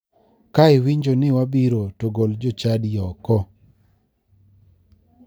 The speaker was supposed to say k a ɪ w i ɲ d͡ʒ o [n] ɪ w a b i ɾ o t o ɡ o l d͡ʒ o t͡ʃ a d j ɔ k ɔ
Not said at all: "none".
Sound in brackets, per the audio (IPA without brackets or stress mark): n